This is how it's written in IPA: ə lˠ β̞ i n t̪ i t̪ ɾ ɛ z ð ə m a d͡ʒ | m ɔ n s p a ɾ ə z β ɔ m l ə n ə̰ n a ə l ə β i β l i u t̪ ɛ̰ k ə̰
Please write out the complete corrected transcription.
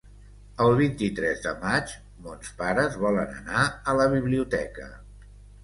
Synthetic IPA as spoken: ə lˠ β̞ i n t̪ i t̪ ɾ ɛ z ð ə m a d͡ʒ | m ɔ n s p a ɾ ə z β ɔ l ə n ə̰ n a ə l ə β i β l i u t̪ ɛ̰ k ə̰

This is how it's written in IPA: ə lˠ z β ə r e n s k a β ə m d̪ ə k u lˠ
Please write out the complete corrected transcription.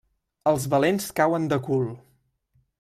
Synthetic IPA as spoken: ə lˠ z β ə l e n s k a w ə n d̪ ə k u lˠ

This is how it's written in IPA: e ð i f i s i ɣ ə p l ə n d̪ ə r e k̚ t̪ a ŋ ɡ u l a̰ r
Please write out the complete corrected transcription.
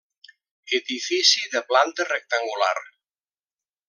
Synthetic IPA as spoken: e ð i f i s i ð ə p l a n t̪ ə r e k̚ t̪ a ŋ ɡ u l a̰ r

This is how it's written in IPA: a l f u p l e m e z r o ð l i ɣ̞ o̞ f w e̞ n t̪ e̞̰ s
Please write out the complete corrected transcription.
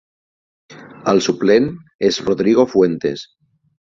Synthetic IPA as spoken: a l s u p l e n e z r o ð ɾ i ɣ̞ o̞ f w e̞ n t̪ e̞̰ s

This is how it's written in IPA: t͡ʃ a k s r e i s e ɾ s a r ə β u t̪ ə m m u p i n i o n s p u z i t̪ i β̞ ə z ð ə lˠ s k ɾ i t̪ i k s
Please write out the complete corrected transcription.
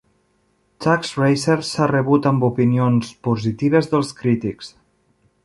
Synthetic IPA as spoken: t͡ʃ a k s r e j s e ɾ s a r ə β u t̪ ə m b u p i n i o n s p u z i t̪ i β̞ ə z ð ə lˠ s k ɾ i t̪ i k s

